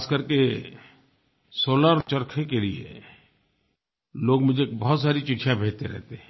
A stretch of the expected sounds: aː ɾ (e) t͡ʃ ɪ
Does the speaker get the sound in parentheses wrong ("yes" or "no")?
yes